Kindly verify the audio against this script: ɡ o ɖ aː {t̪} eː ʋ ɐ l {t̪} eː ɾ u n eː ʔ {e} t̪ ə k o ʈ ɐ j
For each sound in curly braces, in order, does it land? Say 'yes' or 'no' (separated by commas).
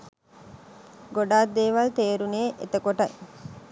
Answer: no, yes, yes